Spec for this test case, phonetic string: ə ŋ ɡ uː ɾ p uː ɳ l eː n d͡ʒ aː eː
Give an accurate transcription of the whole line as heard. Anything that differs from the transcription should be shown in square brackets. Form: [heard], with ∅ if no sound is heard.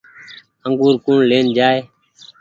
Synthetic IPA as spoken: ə ŋ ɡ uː ɾ [k] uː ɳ l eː n d͡ʒ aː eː